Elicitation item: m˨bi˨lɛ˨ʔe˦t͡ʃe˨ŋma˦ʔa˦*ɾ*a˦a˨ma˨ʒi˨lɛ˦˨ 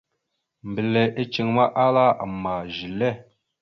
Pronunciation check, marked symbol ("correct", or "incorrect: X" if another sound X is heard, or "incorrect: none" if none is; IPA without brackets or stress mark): incorrect: l